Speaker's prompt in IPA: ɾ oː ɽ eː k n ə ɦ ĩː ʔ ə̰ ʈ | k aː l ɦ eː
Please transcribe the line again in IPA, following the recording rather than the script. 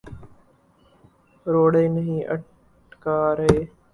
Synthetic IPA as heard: ɾ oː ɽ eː n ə ɦ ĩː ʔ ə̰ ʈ | k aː ɾ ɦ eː